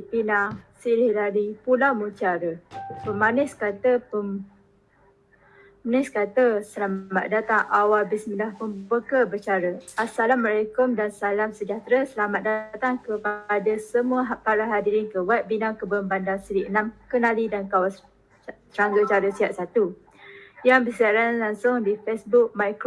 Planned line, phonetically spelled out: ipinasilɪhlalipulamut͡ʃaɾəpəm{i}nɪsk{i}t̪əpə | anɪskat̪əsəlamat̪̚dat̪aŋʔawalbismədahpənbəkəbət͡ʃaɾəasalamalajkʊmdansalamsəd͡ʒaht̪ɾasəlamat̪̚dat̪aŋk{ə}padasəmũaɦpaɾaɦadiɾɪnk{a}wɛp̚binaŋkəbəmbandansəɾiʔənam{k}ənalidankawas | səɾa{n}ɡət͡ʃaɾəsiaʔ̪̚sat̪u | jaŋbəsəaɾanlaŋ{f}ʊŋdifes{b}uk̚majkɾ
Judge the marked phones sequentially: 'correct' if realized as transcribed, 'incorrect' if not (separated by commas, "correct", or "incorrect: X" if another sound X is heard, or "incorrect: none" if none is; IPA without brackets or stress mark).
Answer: incorrect: a, incorrect: a, correct, incorrect: ə, correct, incorrect: ŋ, incorrect: s, correct